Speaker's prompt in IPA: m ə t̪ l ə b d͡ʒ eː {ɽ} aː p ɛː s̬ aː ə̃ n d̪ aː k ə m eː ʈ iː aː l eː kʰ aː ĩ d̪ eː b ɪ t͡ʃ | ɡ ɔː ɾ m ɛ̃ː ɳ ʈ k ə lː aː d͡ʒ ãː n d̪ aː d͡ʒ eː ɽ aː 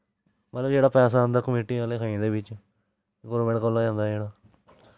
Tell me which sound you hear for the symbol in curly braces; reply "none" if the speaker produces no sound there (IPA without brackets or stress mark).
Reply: ɽ